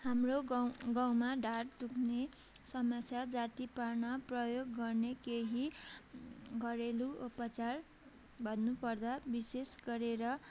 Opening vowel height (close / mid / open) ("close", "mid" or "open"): open